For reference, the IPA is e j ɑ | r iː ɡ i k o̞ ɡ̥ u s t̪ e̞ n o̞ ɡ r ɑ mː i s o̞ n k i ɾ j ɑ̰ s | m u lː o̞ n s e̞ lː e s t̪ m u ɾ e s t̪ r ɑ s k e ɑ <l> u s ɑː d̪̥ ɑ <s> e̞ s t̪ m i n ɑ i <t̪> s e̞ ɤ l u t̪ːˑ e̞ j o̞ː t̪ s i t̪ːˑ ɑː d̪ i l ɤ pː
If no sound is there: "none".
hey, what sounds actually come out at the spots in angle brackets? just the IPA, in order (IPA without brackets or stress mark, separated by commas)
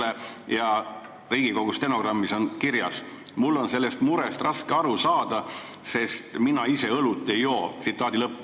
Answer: ɾ, s, none